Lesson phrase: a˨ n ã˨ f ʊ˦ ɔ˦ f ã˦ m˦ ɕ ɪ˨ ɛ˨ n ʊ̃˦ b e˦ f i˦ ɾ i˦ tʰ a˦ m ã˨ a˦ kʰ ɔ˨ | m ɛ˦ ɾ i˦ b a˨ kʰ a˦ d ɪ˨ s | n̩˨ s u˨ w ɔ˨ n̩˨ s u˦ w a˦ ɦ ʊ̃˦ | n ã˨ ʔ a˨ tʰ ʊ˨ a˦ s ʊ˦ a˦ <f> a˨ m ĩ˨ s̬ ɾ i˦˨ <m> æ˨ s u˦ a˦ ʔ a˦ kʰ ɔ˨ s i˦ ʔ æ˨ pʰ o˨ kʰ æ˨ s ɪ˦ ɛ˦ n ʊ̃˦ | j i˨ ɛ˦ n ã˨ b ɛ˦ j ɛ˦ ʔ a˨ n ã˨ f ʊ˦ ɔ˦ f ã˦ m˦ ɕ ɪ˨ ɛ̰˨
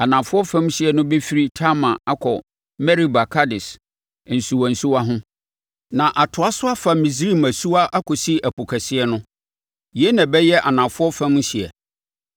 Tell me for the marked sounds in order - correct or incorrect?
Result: correct, correct

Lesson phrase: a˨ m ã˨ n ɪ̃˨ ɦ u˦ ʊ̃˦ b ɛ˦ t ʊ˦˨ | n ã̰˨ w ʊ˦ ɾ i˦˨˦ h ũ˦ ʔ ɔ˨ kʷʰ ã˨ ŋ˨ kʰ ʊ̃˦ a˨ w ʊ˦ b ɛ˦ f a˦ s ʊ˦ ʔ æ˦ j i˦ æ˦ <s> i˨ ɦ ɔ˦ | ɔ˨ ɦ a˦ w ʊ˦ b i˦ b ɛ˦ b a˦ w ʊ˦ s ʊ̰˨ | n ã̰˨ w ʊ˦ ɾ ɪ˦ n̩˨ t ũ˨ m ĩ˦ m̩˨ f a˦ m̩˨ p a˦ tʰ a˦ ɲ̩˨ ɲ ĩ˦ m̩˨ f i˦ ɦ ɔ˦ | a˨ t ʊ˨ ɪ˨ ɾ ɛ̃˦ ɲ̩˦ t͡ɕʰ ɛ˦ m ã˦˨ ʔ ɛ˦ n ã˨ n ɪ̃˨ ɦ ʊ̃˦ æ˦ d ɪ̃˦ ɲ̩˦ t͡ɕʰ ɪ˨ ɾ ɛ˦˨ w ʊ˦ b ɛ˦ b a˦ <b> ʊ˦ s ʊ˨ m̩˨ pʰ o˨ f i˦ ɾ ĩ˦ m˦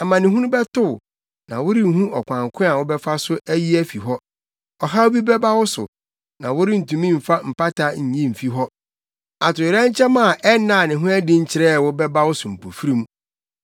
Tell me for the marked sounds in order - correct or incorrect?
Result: incorrect: f, incorrect: w

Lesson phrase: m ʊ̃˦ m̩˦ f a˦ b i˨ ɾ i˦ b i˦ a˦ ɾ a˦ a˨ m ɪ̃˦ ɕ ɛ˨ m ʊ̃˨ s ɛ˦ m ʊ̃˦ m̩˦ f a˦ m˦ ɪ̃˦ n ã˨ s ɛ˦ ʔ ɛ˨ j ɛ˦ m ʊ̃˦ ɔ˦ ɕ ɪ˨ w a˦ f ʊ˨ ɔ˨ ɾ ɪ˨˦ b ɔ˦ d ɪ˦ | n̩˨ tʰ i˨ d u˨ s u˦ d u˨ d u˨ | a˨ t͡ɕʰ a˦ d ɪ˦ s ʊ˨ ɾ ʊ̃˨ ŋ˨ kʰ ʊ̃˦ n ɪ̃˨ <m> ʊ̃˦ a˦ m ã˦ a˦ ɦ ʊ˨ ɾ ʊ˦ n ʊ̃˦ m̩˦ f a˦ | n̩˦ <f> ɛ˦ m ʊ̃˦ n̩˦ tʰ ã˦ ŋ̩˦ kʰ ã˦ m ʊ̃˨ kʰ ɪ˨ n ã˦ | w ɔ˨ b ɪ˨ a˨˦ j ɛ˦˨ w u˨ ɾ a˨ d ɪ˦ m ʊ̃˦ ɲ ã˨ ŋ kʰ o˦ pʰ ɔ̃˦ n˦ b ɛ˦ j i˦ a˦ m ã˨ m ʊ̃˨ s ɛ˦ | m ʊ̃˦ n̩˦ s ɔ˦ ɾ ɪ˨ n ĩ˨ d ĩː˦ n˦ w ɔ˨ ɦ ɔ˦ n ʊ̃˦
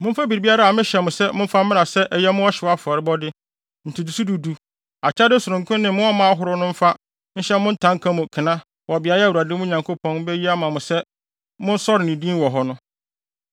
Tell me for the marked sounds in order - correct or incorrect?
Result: correct, incorrect: ɕ

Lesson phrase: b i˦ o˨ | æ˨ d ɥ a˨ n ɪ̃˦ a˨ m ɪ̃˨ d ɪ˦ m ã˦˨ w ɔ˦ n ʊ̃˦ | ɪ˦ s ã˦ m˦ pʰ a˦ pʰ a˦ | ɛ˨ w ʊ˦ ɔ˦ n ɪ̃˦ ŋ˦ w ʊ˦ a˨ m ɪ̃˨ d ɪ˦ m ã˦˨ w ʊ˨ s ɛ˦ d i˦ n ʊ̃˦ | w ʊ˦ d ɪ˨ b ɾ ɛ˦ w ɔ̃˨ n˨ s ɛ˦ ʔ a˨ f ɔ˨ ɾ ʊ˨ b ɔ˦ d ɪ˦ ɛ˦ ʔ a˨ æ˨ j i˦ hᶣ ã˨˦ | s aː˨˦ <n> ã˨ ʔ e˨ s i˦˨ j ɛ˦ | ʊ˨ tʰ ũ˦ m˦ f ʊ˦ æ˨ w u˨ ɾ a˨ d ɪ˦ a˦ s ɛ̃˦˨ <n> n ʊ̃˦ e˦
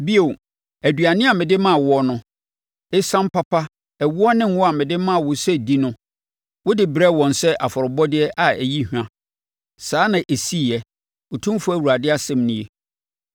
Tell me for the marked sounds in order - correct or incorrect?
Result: correct, incorrect: m

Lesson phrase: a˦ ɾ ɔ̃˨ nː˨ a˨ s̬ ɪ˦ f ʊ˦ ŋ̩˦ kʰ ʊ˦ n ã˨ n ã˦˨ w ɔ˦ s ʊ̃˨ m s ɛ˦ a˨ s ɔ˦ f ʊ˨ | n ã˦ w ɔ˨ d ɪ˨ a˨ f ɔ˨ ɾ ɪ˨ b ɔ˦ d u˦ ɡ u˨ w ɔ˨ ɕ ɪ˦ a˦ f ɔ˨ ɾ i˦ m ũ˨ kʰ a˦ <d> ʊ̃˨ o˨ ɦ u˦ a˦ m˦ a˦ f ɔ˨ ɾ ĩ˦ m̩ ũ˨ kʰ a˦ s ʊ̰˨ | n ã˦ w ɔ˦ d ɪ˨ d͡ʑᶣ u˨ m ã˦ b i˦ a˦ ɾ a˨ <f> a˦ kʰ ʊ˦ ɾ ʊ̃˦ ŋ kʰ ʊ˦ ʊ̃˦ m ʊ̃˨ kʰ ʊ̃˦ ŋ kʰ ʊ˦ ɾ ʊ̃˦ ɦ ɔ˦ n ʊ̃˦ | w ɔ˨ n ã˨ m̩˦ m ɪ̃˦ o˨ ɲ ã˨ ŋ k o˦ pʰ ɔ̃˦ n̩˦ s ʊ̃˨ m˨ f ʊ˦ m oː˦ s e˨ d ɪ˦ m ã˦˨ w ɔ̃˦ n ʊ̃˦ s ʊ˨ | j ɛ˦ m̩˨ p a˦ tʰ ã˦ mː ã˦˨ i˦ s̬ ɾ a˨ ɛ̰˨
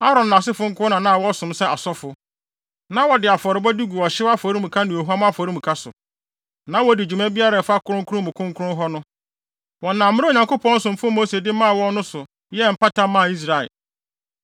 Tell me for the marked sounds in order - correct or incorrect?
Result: incorrect: n, correct

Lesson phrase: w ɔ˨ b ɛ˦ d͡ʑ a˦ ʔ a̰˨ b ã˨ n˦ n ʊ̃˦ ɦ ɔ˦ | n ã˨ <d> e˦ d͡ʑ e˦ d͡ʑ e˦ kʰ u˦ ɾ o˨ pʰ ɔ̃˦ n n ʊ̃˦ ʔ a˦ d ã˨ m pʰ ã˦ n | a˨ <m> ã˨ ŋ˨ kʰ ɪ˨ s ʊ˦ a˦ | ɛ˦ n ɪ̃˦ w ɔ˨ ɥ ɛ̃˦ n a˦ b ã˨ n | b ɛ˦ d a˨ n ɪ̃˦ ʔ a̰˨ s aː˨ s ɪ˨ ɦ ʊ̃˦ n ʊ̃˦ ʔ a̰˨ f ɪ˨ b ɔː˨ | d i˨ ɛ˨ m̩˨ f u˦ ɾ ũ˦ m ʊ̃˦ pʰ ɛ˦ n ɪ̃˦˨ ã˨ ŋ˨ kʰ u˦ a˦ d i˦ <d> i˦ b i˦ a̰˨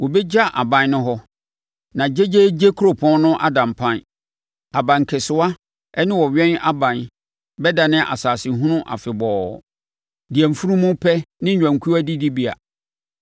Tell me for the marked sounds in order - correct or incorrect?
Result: incorrect: d͡ʑ, incorrect: b, correct

